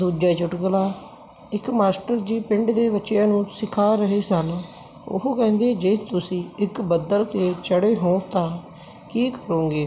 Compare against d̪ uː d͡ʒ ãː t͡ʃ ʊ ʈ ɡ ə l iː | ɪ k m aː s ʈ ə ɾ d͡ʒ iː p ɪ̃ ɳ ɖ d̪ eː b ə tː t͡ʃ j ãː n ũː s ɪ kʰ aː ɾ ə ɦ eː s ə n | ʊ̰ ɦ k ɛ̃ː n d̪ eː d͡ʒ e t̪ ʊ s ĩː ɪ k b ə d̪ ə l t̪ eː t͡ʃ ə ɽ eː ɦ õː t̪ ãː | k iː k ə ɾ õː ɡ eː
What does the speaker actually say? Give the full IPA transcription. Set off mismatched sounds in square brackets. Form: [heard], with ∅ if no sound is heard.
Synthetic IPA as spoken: d̪ uː d͡ʒ [aː] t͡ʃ ʊ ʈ ɡ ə l [aː] | ɪ k m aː s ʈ ə ɾ d͡ʒ iː p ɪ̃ ɳ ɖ d̪ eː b ə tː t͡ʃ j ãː n ũː s ɪ kʰ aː ɾ ə ɦ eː s ə n | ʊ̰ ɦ k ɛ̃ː n d̪ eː d͡ʒ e t̪ ʊ s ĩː ɪ k b ə d̪ ə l t̪ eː t͡ʃ ə ɽ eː ɦ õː t̪ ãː | k iː k ə ɾ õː ɡ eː